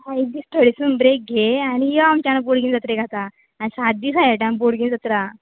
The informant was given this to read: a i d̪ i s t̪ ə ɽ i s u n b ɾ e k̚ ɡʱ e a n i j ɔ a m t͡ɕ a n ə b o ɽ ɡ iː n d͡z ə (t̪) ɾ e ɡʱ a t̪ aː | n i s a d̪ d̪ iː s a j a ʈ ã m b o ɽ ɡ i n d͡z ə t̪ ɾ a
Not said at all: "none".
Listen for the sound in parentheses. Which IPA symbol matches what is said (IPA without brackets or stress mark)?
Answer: t̪